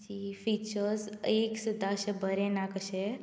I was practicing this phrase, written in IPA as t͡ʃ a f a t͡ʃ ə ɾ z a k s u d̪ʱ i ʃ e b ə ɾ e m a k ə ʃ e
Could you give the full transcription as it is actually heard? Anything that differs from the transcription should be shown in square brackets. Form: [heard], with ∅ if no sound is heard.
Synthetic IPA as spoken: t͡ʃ [i] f [i] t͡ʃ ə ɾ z [e] k s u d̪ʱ [a] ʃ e b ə ɾ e [n] a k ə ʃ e